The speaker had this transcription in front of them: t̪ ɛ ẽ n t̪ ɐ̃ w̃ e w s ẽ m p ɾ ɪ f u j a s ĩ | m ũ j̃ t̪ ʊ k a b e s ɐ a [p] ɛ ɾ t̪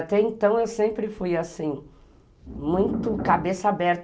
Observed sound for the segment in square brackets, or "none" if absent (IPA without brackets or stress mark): b